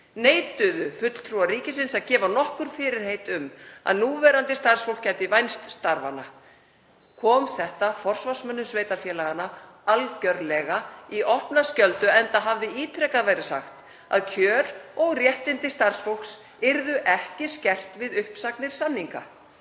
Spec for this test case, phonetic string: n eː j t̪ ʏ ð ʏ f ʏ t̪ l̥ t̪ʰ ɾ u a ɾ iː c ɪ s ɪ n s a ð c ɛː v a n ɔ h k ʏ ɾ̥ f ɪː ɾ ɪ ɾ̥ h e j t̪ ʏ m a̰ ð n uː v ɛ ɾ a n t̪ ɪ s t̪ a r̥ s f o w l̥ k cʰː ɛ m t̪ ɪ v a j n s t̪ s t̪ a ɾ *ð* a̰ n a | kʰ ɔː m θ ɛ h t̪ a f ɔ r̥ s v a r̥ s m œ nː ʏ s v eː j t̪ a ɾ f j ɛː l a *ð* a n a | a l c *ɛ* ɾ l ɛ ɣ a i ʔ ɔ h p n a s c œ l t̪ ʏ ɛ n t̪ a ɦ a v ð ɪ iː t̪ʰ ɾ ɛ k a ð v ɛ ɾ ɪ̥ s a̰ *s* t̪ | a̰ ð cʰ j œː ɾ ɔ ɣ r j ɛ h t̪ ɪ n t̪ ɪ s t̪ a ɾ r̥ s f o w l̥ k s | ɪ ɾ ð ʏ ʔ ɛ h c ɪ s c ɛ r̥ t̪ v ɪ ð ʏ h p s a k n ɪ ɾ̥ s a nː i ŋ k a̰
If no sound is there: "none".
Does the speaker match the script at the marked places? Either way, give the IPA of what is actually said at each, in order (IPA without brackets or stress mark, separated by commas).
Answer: v, ɣ, œ, x